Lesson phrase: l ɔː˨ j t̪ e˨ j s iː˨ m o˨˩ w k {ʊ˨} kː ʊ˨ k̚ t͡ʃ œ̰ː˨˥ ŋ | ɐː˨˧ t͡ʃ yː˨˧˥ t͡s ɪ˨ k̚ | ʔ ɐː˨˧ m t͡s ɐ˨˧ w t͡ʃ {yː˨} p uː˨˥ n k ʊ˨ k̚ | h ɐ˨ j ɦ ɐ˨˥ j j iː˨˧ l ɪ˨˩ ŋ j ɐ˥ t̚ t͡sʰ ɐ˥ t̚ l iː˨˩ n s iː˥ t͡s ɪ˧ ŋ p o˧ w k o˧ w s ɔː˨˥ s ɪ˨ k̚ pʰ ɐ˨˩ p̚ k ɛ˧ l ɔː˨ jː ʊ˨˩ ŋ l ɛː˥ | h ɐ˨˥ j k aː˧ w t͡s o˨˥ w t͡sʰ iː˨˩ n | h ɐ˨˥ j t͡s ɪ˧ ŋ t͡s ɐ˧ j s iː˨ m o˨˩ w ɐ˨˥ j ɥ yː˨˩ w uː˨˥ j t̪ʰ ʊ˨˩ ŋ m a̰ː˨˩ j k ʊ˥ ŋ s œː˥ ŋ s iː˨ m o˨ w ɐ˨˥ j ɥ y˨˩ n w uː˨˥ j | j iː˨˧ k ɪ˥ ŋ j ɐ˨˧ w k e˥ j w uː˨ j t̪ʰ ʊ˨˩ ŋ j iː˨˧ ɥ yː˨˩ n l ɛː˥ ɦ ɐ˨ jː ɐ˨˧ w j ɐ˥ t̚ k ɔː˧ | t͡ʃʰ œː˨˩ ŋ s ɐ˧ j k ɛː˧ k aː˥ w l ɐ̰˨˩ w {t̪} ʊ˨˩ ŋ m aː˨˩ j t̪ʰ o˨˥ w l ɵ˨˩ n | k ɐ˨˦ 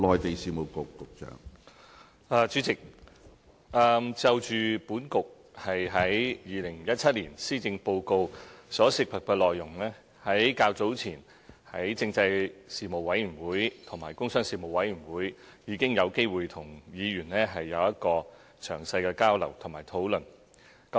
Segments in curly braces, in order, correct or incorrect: correct, correct, incorrect: t̪ʰ

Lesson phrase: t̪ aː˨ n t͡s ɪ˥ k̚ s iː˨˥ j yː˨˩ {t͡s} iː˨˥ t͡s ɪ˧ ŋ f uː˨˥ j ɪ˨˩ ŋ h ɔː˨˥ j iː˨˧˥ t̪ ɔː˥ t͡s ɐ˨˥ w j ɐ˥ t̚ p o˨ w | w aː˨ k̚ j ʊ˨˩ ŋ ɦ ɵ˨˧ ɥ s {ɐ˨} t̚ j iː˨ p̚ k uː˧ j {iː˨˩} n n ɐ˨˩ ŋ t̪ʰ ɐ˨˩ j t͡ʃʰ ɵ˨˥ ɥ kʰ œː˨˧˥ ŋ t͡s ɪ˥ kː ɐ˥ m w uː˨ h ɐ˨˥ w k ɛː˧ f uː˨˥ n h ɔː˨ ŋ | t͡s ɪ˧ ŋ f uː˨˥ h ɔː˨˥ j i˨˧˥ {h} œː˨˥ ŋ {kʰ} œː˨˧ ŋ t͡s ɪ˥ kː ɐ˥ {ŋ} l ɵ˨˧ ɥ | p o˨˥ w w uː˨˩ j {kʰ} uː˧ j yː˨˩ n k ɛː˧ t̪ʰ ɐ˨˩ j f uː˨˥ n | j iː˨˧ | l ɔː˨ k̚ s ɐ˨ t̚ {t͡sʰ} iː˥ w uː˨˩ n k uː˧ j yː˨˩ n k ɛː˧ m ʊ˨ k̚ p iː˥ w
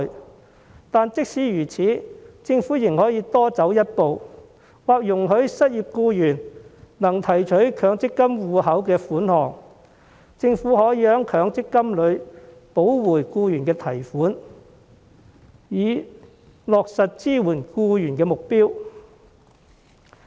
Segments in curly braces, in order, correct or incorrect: incorrect: t͡sʰ, incorrect: ɐ˥, incorrect: yː˨˩, correct, correct, incorrect: m, incorrect: k, incorrect: t͡s

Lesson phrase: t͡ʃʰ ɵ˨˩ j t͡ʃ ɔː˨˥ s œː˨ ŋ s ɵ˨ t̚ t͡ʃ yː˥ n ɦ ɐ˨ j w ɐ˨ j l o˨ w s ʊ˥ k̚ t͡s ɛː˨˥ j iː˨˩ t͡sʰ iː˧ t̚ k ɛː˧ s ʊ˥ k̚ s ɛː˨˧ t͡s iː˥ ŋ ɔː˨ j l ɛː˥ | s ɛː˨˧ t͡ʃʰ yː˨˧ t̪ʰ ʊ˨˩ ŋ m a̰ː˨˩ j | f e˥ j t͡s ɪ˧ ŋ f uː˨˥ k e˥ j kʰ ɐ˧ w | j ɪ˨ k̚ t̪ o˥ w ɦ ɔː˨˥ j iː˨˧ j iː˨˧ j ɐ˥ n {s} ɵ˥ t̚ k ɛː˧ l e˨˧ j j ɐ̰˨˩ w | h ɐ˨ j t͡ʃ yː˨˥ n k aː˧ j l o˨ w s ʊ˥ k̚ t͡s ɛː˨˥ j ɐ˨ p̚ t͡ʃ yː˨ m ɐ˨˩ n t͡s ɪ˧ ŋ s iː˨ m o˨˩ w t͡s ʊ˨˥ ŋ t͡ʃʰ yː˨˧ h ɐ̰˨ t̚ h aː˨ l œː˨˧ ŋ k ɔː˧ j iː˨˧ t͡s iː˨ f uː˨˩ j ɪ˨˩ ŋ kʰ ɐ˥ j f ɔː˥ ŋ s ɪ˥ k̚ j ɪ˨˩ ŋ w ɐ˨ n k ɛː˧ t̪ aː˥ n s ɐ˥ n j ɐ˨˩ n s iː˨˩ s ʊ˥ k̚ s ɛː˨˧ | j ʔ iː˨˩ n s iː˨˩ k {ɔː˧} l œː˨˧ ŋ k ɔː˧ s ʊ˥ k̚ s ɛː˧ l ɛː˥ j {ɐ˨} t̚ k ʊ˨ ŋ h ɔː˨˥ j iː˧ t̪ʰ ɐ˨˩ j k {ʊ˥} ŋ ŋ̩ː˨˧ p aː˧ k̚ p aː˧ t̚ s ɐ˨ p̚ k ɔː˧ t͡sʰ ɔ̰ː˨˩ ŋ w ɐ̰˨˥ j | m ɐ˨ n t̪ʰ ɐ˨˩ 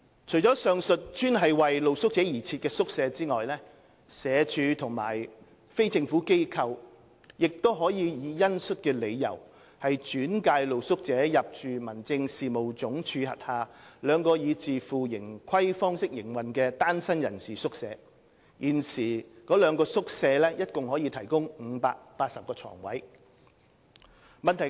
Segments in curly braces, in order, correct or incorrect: correct, incorrect: ɔː˨˥, incorrect: ɐ˥, correct

